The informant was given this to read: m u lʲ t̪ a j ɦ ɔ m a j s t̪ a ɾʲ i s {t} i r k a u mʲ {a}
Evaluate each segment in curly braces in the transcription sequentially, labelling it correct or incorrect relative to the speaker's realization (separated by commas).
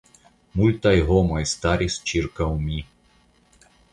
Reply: incorrect, incorrect